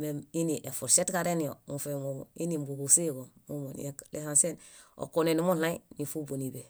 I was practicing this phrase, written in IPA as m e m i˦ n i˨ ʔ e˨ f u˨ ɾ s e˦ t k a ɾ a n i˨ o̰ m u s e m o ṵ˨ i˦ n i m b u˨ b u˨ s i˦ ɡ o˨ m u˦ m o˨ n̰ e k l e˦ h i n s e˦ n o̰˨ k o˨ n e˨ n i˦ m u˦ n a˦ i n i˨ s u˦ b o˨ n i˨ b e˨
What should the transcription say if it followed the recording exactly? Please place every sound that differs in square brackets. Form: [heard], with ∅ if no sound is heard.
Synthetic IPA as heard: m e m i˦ n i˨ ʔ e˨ f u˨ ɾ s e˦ t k a ɾ [e] n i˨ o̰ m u [f] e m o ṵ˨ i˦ n i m b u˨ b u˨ s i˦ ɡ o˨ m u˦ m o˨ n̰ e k l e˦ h [a] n s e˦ n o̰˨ k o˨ n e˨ n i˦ m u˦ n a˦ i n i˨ [f] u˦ b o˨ n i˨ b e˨